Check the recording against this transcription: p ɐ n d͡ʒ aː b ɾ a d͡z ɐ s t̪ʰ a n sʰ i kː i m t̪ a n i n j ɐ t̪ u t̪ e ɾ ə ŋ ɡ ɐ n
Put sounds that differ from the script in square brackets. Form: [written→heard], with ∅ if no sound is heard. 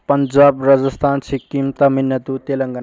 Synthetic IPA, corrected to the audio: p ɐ n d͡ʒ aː b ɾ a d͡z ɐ s t̪ʰ a n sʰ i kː i m t̪ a [n→m] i n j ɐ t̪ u t̪ e [ɾ→l] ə ŋ ɡ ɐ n